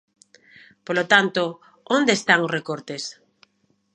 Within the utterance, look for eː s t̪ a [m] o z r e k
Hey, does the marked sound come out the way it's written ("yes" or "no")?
no